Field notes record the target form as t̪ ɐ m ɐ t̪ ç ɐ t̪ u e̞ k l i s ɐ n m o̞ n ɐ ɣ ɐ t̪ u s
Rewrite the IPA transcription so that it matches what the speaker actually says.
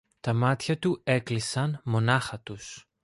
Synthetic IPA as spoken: t̪ ɐ m ɐ t̪ ç ɐ t̪ u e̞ k l i s ɐ n m o̞ n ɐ x ɐ t̪ u s